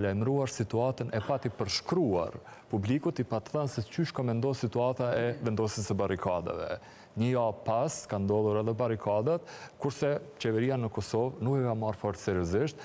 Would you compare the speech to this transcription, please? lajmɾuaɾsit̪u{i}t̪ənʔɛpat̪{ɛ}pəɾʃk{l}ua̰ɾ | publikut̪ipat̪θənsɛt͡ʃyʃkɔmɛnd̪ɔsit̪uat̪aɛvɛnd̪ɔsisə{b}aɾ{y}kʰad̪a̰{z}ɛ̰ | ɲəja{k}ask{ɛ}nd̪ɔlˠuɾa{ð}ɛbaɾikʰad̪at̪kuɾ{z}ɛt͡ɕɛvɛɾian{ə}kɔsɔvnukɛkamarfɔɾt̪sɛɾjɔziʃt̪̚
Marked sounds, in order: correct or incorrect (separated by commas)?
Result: incorrect, incorrect, incorrect, correct, incorrect, incorrect, incorrect, incorrect, correct, incorrect, correct